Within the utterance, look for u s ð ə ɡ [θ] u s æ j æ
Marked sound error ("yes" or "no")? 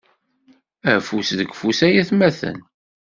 yes